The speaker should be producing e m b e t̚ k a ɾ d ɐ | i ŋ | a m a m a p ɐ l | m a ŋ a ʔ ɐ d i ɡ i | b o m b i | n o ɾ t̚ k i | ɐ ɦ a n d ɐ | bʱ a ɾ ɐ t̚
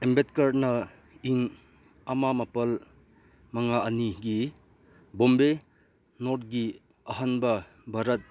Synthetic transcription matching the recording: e m b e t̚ k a ɾ n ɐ | i ŋ | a m a m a p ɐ l | m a ŋ a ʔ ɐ n i ɡ i | b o m b e | n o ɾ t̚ ɡ i | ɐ ɦ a n b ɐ | bʱ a ɾ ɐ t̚